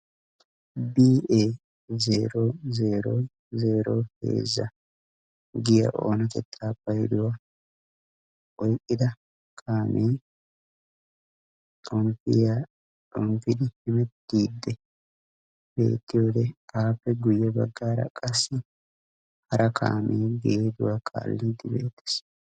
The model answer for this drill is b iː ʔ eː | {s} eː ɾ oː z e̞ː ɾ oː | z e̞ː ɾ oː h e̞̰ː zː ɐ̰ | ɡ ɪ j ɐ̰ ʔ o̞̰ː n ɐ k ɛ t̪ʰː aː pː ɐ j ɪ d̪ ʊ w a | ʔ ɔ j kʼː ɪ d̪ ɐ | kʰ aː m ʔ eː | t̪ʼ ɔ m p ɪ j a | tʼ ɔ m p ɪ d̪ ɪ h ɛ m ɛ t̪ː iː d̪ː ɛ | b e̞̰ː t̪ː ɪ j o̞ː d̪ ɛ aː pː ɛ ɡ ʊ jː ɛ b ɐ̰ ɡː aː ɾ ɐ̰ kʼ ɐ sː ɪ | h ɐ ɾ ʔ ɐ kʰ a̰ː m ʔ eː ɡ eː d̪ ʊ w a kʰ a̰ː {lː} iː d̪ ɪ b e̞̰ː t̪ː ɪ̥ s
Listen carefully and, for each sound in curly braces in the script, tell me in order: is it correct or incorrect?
incorrect, correct

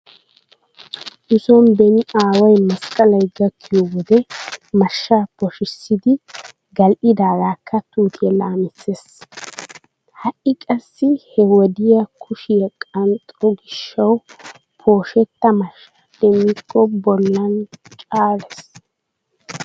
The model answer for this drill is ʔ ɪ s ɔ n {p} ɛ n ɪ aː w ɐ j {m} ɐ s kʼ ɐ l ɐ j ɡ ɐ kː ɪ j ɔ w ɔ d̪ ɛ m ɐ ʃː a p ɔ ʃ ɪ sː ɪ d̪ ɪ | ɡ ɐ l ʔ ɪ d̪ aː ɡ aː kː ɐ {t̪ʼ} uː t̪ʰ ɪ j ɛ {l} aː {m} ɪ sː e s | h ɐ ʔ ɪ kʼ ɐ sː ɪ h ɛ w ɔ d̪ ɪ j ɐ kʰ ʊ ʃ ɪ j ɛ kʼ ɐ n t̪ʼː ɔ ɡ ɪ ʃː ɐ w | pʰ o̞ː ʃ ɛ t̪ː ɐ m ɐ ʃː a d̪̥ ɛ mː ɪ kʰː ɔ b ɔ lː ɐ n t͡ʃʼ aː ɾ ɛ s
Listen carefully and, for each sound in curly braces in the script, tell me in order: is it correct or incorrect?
incorrect, correct, incorrect, correct, correct

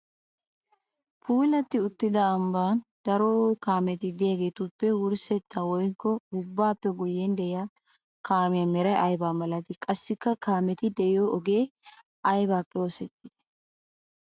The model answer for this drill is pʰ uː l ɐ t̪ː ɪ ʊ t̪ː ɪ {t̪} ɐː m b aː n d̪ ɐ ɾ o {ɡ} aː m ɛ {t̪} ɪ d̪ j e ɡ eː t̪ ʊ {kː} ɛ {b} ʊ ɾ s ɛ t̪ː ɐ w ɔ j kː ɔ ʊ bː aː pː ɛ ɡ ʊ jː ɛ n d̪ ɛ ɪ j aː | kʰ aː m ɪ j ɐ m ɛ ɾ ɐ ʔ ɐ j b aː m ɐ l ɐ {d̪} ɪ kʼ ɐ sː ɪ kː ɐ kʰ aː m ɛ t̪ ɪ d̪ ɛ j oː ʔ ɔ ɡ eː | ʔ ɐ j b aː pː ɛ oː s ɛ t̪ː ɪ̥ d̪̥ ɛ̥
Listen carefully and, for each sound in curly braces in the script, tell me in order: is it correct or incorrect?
incorrect, incorrect, correct, incorrect, incorrect, incorrect

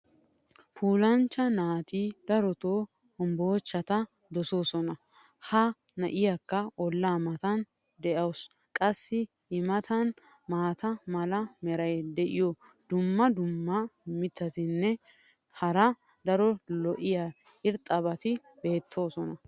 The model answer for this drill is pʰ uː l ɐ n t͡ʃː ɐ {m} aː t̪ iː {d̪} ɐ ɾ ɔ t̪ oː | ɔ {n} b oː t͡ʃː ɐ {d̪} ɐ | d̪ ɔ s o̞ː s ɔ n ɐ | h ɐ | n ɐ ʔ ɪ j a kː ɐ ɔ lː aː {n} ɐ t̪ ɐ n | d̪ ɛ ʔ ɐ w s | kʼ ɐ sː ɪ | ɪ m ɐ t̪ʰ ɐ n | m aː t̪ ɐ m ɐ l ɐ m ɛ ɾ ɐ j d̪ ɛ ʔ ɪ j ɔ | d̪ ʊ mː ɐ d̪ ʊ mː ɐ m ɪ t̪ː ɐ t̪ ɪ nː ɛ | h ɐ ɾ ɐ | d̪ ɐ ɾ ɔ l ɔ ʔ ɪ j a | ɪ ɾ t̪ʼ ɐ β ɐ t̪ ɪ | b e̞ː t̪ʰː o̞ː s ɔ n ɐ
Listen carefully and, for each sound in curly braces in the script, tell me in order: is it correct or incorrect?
incorrect, correct, incorrect, incorrect, incorrect

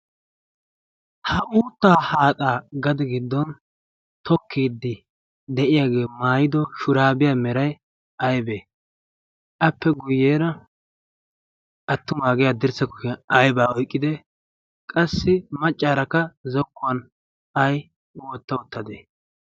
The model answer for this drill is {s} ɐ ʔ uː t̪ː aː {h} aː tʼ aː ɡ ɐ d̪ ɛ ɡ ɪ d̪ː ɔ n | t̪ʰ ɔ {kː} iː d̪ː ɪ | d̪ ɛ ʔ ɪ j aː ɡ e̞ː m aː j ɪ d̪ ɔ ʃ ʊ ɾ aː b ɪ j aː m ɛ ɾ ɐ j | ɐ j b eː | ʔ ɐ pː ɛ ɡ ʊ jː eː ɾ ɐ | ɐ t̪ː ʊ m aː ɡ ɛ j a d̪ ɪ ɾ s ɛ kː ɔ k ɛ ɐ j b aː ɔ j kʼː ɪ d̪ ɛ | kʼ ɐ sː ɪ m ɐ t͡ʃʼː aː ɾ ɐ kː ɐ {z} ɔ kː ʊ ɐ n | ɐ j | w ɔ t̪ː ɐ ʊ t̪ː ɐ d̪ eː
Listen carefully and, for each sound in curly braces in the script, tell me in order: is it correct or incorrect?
incorrect, correct, correct, correct

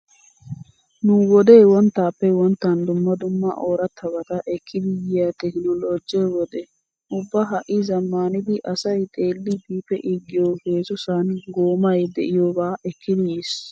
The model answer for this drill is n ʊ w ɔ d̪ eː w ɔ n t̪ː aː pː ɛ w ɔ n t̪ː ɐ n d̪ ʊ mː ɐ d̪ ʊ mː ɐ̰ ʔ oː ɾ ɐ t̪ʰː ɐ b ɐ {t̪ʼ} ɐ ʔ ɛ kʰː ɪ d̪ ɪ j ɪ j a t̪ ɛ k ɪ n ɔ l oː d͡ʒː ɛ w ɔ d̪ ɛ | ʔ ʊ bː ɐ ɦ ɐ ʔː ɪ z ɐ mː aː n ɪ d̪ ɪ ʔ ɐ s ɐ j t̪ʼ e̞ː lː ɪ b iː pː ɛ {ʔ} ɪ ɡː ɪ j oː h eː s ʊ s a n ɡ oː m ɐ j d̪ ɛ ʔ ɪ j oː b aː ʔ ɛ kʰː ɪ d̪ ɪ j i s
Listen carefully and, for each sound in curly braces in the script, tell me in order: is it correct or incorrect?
incorrect, correct

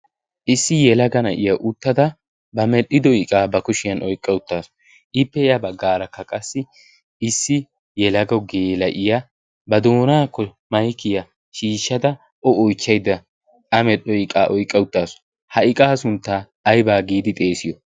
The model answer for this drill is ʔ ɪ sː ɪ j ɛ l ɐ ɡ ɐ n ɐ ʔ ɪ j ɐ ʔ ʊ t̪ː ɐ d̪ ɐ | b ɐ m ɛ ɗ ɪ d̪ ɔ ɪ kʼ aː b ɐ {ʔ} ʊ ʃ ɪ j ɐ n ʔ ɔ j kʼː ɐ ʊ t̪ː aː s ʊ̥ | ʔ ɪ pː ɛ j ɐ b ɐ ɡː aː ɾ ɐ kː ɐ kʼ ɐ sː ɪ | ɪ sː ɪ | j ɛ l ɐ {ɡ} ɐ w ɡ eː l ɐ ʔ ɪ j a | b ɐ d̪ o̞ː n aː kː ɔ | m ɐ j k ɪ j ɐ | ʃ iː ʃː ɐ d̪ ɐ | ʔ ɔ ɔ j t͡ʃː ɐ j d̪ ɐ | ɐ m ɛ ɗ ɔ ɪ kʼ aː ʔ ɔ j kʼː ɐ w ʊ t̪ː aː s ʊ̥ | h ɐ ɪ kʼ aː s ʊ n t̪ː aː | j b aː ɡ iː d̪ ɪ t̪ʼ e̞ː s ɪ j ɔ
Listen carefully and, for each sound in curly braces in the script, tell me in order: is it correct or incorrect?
incorrect, correct

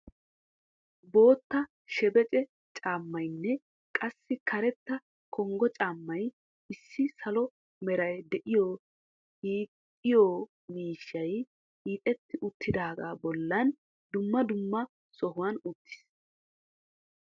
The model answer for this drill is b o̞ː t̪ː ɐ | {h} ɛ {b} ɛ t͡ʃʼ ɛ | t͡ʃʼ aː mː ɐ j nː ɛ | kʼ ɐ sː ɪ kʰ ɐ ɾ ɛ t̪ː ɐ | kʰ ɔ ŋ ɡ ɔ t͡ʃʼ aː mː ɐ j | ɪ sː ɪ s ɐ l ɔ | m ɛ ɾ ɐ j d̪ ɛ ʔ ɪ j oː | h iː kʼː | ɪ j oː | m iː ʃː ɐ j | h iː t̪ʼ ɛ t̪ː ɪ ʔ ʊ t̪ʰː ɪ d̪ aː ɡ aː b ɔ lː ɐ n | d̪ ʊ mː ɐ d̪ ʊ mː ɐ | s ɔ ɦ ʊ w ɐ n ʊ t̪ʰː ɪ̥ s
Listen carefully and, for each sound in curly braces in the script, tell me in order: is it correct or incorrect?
incorrect, correct

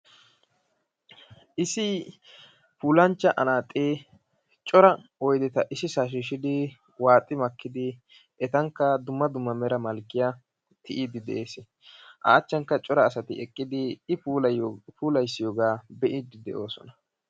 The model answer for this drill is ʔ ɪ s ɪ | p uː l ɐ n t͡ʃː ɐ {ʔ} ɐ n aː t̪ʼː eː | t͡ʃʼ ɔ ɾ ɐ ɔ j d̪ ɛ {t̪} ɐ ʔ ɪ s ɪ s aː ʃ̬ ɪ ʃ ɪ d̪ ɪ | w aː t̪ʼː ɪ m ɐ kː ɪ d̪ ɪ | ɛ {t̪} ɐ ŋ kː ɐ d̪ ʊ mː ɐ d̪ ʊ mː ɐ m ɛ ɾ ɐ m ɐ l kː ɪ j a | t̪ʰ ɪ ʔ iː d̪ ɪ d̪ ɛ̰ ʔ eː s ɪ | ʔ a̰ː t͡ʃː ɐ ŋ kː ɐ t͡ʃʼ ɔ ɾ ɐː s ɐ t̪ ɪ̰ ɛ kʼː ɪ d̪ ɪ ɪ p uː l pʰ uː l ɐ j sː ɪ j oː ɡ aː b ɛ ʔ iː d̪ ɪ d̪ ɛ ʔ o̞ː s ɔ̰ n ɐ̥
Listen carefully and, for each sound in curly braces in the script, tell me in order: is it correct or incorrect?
correct, correct, correct

